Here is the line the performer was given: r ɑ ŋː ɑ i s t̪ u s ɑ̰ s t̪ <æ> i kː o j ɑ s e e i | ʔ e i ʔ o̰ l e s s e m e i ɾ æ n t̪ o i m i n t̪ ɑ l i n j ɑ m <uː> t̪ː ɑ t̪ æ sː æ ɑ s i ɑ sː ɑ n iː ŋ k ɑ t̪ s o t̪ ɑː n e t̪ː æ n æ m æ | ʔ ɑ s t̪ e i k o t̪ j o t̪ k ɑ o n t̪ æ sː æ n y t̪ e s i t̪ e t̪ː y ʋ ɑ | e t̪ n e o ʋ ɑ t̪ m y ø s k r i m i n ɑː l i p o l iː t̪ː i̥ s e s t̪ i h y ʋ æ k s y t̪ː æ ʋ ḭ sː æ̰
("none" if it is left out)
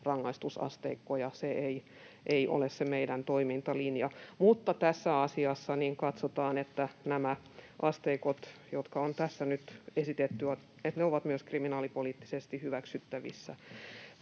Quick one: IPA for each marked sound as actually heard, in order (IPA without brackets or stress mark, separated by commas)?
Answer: e, u